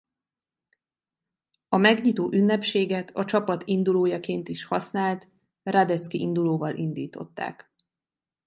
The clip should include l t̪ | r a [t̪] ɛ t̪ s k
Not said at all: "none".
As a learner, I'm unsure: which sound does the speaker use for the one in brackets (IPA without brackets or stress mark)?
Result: d̪